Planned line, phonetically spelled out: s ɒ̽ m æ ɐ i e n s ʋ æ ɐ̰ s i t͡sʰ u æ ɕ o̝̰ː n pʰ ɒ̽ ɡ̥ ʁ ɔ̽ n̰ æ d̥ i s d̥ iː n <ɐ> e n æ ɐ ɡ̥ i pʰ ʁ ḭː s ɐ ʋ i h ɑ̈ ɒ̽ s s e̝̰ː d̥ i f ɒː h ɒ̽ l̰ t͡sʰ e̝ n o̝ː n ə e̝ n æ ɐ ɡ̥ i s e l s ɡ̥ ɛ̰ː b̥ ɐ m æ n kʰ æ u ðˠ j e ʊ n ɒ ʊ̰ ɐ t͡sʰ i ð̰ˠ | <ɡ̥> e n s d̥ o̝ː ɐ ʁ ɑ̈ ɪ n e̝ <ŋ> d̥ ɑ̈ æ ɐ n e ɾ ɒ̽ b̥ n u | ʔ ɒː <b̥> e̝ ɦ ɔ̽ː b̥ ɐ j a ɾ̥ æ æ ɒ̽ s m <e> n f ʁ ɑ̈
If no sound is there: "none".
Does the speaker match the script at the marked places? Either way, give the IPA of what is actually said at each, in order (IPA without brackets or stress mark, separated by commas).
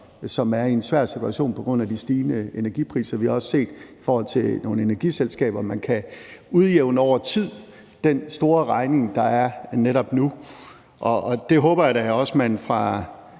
ə, d̥, ŋ, d̥, æ